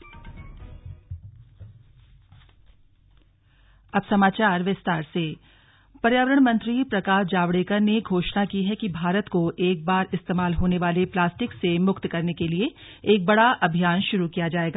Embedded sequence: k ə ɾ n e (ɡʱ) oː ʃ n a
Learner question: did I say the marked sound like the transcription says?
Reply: yes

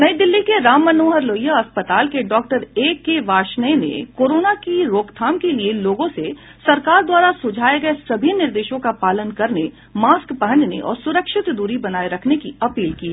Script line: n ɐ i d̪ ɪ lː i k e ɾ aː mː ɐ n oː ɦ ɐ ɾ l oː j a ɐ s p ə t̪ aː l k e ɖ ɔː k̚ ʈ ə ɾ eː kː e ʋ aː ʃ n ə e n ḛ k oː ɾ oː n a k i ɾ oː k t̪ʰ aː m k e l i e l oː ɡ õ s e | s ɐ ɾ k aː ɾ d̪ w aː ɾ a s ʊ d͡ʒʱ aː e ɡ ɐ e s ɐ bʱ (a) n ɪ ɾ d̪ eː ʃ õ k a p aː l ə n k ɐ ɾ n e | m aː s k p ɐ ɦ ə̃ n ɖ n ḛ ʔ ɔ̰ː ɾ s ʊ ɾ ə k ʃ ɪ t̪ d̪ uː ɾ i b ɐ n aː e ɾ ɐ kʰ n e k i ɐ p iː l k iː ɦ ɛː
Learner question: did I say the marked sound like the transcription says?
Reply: no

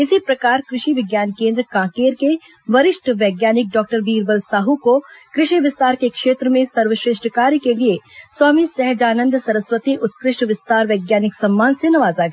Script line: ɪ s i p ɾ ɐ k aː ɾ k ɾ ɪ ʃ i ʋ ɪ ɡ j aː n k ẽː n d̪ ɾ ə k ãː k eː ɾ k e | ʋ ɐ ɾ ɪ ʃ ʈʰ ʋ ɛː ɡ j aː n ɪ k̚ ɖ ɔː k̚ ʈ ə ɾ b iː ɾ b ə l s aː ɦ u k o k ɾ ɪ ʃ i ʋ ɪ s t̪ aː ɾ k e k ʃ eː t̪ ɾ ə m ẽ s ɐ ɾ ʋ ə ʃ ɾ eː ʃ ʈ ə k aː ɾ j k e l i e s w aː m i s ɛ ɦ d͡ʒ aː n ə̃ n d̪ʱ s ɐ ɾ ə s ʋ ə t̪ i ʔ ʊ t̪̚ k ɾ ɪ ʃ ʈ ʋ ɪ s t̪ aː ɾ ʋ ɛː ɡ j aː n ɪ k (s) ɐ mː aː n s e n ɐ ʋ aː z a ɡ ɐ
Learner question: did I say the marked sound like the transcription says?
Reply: yes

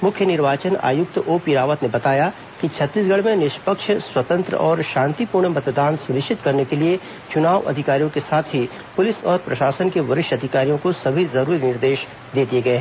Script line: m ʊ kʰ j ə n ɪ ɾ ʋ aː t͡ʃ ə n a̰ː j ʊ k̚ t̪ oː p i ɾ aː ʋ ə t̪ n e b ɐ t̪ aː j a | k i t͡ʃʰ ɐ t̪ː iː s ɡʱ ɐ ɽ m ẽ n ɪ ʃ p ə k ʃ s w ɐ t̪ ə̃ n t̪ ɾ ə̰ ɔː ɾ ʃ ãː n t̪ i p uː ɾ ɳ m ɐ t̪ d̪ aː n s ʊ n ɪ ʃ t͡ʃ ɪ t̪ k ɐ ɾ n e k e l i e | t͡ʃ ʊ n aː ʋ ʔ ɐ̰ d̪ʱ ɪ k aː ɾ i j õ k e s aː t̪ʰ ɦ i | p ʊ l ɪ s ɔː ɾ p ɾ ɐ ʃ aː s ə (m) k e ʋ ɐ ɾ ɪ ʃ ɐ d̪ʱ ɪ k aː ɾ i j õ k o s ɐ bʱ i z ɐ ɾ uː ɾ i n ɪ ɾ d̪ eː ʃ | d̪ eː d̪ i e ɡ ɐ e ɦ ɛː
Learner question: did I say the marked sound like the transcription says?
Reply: no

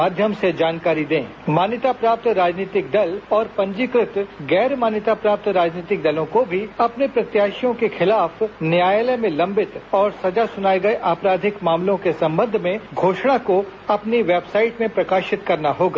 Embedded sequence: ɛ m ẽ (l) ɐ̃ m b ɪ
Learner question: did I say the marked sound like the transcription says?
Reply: yes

